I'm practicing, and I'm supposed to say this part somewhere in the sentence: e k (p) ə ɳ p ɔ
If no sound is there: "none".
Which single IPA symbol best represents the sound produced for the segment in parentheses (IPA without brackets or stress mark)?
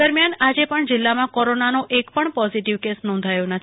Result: p